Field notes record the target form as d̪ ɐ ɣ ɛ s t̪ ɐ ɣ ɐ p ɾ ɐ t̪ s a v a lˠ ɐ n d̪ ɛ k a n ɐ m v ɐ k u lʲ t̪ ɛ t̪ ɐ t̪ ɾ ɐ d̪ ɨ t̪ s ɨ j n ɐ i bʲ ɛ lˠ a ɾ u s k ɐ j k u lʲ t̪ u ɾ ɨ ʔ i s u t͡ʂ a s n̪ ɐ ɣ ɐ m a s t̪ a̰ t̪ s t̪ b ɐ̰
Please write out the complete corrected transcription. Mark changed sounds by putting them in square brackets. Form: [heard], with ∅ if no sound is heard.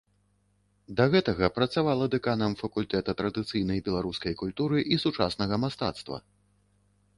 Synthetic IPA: d̪ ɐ ɣ ɛ [∅] t̪ ɐ ɣ ɐ p ɾ ɐ t̪ s a v a lˠ ɐ [∅] d̪ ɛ k a n ɐ m [f] ɐ k u lʲ t̪ ɛ t̪ ɐ t̪ ɾ ɐ d̪ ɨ t̪ s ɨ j n ɐ [j] bʲ ɛ lˠ a ɾ u s k ɐ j k u lʲ t̪ u ɾ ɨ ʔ i s u t͡ʂ a s n̪ ɐ ɣ ɐ m a s t̪ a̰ t̪ s t̪ [v] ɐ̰